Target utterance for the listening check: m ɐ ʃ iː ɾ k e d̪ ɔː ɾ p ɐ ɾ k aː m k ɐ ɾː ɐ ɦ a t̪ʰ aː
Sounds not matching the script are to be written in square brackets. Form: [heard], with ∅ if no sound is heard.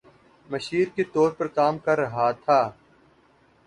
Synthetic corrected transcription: m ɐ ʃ iː ɾ k e [t̪] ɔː ɾ p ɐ ɾ k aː m k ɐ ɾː ɐ ɦ a t̪ʰ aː